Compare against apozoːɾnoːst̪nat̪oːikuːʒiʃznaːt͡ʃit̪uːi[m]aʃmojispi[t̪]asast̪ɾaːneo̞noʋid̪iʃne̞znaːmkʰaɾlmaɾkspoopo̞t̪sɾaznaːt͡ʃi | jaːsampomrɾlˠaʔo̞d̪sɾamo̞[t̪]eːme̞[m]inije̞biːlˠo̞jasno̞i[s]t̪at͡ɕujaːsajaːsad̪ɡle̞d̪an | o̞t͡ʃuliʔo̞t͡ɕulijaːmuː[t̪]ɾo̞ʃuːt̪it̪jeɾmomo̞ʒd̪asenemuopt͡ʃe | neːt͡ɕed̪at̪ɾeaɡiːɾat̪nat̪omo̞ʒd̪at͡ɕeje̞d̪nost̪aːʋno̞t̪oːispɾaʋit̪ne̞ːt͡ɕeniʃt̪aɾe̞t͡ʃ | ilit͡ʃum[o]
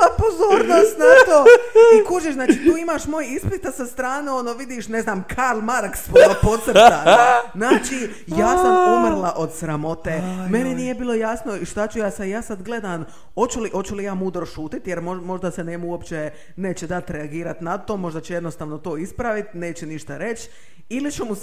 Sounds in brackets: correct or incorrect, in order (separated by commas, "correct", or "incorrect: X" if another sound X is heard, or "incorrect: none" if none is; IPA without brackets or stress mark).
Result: correct, correct, correct, incorrect: n, incorrect: ʃ, incorrect: d̪, incorrect: u